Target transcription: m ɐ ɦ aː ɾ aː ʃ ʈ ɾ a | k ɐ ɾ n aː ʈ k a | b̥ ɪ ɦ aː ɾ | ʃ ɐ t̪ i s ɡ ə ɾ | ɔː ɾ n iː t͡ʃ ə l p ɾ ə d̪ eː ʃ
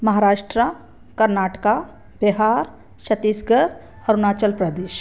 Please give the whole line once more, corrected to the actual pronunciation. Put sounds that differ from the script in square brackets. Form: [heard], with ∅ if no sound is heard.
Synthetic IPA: m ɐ ɦ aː ɾ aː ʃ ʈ ɾ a | k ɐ ɾ n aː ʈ k a | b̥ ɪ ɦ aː ɾ | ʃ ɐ t̪ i s ɡ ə ɾ | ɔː ɾ n [aː] t͡ʃ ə l p ɾ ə d̪ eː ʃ